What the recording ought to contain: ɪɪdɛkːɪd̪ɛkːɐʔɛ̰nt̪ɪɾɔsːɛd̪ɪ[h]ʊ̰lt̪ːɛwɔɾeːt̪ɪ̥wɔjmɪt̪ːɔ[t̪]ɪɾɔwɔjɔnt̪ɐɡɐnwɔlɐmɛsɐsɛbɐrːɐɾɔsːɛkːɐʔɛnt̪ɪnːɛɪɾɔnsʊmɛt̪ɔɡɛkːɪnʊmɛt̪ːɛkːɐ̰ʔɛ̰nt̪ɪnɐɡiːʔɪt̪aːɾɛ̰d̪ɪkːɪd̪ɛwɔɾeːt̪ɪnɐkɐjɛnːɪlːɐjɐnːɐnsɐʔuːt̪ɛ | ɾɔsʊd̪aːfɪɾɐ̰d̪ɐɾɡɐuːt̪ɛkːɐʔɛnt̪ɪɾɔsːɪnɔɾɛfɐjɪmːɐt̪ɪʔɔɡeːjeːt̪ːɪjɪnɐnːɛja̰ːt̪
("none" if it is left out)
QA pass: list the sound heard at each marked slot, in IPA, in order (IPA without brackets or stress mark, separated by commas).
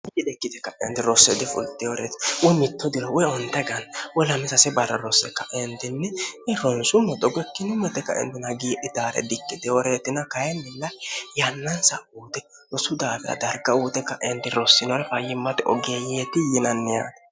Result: f, d̪